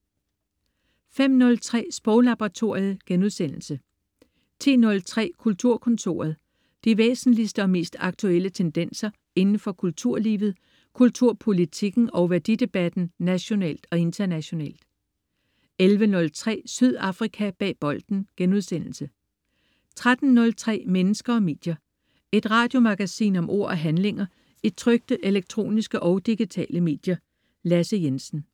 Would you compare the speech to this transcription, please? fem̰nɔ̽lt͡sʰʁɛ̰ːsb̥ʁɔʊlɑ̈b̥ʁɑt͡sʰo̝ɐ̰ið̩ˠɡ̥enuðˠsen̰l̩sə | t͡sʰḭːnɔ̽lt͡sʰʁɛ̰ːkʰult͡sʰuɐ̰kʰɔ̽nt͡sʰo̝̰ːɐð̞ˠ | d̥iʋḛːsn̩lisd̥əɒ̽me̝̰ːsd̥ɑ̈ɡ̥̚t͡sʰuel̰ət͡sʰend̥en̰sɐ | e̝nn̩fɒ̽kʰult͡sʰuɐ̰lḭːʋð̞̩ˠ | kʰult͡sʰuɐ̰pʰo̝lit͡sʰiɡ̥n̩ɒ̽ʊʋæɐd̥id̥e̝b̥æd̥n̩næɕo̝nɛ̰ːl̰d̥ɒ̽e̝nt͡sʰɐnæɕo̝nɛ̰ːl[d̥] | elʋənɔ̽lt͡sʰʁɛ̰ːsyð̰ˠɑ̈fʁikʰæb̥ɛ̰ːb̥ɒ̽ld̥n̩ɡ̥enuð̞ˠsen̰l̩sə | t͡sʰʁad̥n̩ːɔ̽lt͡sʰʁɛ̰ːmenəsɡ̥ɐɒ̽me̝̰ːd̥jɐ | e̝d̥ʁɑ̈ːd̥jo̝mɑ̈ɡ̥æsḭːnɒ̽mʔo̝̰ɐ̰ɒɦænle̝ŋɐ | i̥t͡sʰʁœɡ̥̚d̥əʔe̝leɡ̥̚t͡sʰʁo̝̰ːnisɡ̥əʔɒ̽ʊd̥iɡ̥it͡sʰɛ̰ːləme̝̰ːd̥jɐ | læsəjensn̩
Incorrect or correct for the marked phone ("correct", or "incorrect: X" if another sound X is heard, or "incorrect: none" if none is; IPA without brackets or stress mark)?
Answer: correct